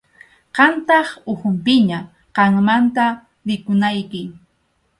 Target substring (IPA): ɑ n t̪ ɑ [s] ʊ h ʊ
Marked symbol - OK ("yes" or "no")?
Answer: no